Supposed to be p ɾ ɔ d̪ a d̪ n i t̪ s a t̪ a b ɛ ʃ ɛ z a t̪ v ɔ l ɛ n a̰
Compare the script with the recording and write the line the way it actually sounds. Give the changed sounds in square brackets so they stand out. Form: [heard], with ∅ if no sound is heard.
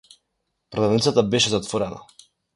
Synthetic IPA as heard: p ɾ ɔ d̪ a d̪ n i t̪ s a t̪ a b ɛ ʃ ɛ z a t̪ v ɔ [ɾ] ɛ n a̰